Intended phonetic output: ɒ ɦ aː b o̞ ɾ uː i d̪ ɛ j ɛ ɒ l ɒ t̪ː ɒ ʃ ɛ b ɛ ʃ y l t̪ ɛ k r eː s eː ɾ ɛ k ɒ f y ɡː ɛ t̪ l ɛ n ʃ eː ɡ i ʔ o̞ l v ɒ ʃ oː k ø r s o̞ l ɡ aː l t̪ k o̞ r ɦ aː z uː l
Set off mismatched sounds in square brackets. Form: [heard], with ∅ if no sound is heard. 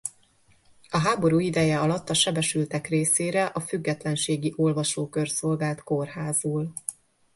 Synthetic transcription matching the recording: ɒ ɦ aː b o̞ ɾ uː i d̪ ɛ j ɛ ɒ l ɒ t̪ː ɒ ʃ ɛ b ɛ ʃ y l t̪ ɛ k r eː s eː ɾ ɛ [ʔ] ɒ f y ɡː ɛ t̪ l ɛ n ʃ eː ɡ i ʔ o̞ l v ɒ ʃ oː k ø r s o̞ l ɡ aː l t̪ k o̞ r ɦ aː z uː l